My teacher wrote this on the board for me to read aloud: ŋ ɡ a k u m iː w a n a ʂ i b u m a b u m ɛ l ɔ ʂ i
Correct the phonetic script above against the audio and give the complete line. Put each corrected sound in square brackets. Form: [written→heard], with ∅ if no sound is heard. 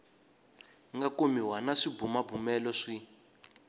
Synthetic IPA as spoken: ŋ ɡ a k [u→o] m [iː→i] w a n a ʂ i b u m a b u m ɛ l ɔ ʂ i